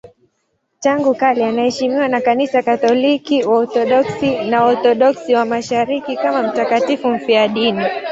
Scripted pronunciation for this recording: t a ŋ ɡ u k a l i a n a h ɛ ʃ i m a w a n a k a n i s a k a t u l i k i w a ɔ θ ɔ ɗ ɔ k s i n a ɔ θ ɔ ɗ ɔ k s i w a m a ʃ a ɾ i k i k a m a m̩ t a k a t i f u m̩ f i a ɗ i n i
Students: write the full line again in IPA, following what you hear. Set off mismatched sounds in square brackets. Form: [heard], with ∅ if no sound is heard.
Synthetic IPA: t a ŋ ɡ u k a l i a n a h ɛ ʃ i m [i] w a n a k a n i s a k a t [ɔ] l i k i w a ɔ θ ɔ ɗ ɔ k s i n a ɔ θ ɔ ɗ ɔ k s i w a m a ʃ a ɾ i k i k a m a m̩ t a k a t i f u m̩ f i a ɗ i n i